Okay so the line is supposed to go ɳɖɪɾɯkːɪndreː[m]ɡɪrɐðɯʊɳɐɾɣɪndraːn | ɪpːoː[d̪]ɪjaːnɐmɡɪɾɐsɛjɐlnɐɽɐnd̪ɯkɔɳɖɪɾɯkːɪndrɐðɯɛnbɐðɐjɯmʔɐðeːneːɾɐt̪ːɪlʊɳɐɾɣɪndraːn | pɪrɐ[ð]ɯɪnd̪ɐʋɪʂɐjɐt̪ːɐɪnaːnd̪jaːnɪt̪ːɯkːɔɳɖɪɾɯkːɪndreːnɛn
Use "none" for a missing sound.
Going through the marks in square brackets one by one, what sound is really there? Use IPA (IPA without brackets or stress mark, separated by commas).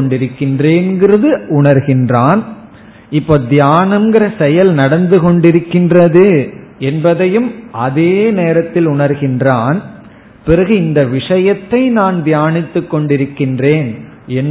n, d̪, ɣ